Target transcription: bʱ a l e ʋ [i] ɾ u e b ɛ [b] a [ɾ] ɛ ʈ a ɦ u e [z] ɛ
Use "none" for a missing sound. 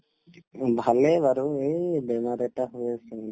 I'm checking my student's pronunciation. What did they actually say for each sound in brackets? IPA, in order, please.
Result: a, m, ɾ, s

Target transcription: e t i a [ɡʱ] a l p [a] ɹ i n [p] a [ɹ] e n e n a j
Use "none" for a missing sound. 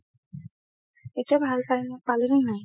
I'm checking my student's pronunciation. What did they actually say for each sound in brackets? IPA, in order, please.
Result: bʱ, a, p, l

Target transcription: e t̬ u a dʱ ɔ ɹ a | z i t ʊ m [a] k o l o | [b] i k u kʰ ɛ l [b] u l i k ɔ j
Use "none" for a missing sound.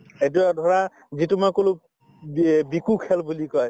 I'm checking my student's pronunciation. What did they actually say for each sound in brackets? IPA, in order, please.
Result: a, b, b

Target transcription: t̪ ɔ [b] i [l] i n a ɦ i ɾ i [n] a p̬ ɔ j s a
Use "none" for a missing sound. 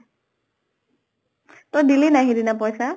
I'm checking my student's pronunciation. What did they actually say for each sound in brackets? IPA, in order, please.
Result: d, l, n

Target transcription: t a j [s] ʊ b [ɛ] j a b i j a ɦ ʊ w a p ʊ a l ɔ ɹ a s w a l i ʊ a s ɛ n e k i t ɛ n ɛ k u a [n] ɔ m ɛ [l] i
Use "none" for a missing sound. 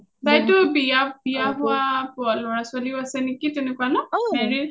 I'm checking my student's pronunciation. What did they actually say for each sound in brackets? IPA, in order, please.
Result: t, i, n, ɹ

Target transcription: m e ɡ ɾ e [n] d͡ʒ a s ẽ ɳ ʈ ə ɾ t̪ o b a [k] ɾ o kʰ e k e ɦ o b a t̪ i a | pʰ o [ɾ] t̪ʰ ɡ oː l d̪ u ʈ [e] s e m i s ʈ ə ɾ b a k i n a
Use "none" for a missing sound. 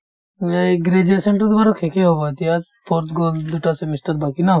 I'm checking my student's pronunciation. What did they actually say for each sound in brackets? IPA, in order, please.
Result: none, none, ɾ, a

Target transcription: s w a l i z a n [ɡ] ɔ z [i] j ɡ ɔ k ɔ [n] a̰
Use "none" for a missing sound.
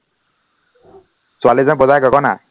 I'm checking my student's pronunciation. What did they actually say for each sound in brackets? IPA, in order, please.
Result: b, a, n

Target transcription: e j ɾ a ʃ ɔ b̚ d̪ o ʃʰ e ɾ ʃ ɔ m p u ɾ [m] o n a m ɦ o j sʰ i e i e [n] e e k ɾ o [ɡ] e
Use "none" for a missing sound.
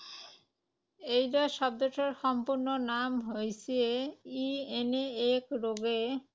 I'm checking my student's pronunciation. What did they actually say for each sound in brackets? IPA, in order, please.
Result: n, n, ɡ

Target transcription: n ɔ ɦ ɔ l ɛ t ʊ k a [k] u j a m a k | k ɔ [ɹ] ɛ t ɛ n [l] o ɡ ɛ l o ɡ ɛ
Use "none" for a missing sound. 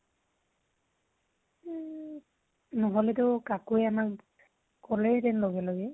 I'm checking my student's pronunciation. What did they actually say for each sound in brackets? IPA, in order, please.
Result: k, l, l

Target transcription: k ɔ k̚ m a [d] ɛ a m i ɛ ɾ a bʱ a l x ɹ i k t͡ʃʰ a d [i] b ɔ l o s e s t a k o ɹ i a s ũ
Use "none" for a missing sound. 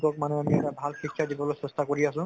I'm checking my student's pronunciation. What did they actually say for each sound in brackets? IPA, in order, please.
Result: n, i

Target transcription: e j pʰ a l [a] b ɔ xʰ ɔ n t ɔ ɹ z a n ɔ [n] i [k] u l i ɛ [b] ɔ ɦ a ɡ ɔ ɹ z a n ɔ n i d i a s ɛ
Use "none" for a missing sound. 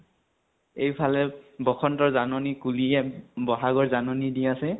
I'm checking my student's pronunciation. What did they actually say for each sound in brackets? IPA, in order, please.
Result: ɛ, n, k, b

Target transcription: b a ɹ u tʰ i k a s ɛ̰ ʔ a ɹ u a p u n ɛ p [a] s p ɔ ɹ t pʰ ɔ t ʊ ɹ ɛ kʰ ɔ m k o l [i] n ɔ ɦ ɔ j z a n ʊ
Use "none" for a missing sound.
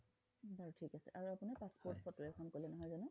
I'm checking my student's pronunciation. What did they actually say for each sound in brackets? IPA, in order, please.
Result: a, ɛ

